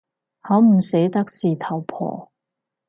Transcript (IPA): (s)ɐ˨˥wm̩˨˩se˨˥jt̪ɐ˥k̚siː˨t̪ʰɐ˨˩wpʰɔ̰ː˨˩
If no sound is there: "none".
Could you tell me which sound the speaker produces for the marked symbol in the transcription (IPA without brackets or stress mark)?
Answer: h